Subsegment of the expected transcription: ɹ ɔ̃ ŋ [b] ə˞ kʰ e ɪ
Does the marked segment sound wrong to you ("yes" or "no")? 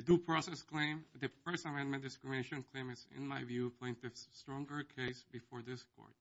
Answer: yes